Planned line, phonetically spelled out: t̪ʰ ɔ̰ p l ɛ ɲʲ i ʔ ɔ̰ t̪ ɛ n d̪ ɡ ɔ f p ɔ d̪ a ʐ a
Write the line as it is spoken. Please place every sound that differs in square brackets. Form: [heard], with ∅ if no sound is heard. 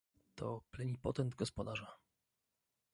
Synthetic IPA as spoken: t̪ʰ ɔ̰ p l ɛ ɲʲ i [p] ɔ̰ t̪ ɛ n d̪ ɡ ɔ [s] p ɔ d̪ a ʐ a